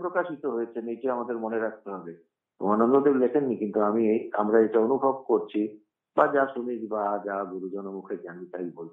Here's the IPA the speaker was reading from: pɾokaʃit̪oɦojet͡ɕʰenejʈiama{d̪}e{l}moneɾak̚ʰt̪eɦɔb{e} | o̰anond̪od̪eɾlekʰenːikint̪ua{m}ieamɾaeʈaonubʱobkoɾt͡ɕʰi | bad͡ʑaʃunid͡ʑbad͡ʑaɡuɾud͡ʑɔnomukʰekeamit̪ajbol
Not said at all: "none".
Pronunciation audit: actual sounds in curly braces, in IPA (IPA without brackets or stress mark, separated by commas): d̪, ɾ, e, m